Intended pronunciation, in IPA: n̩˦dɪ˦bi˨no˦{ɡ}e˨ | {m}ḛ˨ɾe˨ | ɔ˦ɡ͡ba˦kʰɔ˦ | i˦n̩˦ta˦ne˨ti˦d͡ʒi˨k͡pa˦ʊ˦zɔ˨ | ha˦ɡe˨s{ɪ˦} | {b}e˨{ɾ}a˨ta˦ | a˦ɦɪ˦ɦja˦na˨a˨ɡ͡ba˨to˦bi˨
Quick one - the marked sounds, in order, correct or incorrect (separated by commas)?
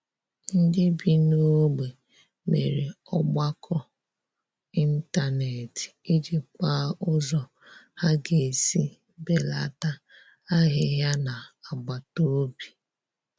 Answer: incorrect, correct, incorrect, correct, incorrect